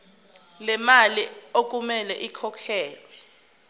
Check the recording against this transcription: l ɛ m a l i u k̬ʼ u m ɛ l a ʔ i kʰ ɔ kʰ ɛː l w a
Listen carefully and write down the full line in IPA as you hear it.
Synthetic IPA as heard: l ɛ m a l i o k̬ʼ u m ɛ l ɛ ʔ i kʰ ɔ kʰ ɛː l w ɛ